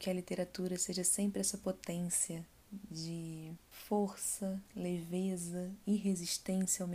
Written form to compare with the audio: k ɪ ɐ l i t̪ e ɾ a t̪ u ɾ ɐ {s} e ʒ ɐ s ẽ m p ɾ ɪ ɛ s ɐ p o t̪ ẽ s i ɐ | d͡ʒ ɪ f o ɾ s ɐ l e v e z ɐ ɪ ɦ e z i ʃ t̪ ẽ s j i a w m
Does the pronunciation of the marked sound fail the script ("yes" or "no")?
no